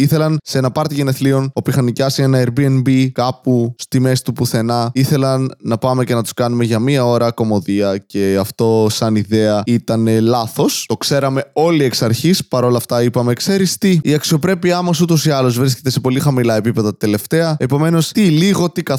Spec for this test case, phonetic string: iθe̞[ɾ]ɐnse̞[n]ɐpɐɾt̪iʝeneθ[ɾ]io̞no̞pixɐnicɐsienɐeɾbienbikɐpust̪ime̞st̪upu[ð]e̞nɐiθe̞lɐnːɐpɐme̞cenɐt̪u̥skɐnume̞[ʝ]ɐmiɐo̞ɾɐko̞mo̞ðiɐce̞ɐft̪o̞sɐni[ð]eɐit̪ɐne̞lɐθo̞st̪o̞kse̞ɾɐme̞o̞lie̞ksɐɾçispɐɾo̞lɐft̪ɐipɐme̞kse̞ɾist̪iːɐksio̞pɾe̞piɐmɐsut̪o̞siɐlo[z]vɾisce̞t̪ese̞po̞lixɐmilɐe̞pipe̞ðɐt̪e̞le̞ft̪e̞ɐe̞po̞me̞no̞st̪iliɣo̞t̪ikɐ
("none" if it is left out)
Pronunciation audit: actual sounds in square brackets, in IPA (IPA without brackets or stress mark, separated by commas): l, n, l, θ, ʝ, ð, z